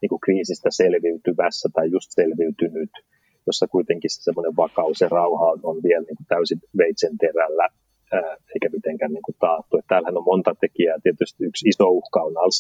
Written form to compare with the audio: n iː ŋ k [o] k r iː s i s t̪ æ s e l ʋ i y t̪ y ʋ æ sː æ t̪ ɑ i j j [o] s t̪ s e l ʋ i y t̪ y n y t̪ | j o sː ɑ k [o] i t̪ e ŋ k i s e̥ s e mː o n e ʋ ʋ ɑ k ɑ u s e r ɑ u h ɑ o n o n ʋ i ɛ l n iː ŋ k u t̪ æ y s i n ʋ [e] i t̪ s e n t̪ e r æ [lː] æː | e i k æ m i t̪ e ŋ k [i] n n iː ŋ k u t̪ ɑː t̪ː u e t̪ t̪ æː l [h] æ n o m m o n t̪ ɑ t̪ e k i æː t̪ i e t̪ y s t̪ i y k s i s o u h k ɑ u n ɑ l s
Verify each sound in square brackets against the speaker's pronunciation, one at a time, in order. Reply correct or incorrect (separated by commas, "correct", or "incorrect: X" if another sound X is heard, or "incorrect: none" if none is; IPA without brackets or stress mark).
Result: incorrect: u, incorrect: u, incorrect: u, correct, correct, incorrect: æ, correct